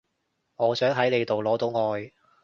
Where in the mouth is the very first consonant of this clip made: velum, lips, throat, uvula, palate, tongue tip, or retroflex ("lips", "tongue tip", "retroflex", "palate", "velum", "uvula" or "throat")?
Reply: velum